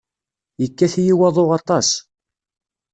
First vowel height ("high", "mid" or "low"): mid